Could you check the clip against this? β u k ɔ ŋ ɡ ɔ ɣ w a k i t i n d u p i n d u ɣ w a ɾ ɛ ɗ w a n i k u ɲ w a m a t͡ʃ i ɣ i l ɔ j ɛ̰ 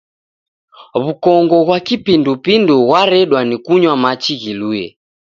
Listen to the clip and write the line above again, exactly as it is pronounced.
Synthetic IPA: β u k ɔ ŋ ɡ ɔ ɣ w a k i p i n d u p i n d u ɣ w a ɾ ɛ ɗ w a n i k u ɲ w a m a t͡ʃ i ɣ i l u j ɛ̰